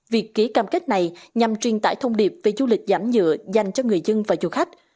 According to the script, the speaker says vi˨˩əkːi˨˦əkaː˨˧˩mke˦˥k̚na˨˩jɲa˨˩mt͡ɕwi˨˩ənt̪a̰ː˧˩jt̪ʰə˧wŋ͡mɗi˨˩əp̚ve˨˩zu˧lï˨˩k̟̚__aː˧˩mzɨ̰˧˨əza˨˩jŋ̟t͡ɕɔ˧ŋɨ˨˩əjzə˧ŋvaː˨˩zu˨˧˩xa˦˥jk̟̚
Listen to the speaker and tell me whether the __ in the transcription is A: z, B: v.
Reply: A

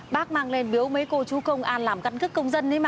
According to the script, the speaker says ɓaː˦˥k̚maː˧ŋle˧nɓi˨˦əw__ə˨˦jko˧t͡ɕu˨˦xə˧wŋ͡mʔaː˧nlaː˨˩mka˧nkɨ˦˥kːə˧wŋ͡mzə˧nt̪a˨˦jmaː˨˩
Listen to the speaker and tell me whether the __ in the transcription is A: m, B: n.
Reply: A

